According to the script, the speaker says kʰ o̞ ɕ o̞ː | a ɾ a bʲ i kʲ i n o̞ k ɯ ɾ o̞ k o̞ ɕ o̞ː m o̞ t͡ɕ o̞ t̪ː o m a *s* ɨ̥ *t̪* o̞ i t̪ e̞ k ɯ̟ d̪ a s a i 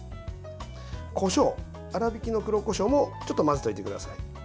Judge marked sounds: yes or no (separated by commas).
no, yes